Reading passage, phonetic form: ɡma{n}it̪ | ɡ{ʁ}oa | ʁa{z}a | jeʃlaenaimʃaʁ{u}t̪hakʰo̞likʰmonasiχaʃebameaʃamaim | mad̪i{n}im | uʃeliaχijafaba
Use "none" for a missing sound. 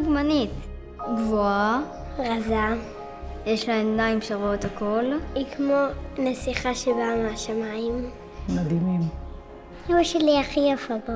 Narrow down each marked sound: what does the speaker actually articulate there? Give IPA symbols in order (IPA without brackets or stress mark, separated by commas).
n, v, z, o, m